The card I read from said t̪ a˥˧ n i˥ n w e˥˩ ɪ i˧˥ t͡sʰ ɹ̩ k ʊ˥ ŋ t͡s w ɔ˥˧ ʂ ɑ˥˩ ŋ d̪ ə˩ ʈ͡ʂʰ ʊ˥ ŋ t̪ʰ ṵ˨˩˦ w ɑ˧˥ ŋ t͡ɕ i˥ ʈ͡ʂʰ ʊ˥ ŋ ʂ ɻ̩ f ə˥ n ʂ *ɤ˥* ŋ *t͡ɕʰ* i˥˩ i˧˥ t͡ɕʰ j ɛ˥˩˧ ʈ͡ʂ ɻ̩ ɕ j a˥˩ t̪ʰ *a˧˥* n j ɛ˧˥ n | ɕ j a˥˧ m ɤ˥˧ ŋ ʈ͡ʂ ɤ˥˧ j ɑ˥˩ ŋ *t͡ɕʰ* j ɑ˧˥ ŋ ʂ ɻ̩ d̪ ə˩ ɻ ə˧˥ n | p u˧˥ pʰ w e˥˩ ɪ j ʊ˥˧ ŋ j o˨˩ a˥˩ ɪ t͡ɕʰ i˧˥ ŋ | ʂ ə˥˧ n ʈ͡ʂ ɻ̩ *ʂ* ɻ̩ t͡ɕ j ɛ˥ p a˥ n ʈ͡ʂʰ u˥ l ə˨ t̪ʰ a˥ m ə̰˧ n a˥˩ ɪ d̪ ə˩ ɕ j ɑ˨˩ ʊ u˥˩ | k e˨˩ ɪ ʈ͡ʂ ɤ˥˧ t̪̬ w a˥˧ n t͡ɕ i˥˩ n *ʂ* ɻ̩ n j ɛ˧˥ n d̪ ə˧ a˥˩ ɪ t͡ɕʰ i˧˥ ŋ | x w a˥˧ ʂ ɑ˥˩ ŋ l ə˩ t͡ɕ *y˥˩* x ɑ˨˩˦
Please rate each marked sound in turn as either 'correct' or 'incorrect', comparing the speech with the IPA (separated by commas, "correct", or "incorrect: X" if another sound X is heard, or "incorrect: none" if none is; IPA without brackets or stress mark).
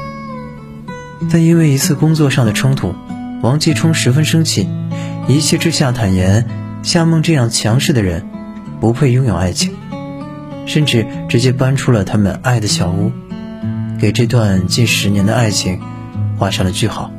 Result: correct, correct, incorrect: a˨˩, correct, incorrect: ʈ͡ʂ, correct, correct